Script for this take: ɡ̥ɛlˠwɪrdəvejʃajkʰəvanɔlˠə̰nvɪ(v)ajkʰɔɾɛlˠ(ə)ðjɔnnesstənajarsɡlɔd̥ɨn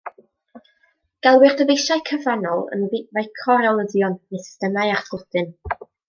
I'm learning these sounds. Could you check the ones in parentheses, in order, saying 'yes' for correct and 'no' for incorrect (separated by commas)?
yes, yes